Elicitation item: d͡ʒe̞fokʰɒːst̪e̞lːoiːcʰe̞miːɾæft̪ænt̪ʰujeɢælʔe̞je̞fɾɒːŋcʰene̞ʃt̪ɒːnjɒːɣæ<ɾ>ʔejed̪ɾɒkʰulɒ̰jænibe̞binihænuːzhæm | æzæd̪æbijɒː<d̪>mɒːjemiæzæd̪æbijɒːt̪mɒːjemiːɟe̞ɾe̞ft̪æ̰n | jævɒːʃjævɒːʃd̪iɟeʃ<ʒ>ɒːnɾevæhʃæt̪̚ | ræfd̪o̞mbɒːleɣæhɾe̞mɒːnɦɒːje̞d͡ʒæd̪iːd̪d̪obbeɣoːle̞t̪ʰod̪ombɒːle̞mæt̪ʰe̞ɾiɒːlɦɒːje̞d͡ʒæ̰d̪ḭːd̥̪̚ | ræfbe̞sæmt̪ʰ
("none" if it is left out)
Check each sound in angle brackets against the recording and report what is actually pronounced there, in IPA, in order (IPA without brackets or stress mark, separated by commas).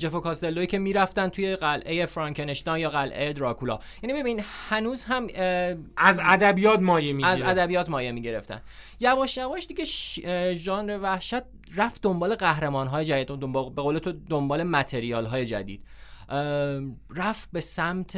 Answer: l, t̪, ʒ